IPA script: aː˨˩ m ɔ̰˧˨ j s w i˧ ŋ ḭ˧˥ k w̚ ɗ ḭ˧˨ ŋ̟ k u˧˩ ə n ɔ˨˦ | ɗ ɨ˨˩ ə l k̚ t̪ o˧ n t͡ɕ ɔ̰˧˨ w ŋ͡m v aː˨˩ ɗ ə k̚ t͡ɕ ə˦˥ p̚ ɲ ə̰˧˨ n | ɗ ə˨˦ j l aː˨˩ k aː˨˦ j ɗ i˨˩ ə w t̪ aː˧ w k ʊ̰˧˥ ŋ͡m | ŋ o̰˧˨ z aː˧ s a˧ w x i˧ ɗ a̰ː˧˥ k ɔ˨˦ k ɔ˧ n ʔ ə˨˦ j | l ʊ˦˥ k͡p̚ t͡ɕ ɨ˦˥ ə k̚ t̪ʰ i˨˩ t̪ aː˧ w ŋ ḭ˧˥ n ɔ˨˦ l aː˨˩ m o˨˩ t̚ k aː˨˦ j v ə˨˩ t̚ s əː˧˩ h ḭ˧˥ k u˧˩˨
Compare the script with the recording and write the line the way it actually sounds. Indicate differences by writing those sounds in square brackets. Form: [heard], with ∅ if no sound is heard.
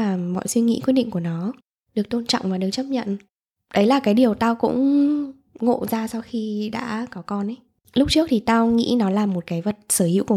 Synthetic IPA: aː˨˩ m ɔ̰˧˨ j s w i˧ ŋ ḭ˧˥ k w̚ ɗ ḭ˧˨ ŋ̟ k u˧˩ ə n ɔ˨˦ | ɗ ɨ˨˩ ə [∅] k̚ t̪ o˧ n t͡ɕ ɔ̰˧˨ w ŋ͡m v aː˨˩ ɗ ə k̚ t͡ɕ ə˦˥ p̚ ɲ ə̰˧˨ n | ɗ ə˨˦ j l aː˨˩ k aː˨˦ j ɗ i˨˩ ə w t̪ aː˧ w k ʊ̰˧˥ ŋ͡m | ŋ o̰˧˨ z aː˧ s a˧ w x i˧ ɗ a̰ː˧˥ k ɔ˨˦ k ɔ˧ n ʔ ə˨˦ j | l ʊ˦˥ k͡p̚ t͡ɕ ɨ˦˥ ə k̚ t̪ʰ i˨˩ t̪ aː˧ w ŋ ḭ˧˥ n ɔ˨˦ l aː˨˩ m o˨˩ t̚ k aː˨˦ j v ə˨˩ t̚ s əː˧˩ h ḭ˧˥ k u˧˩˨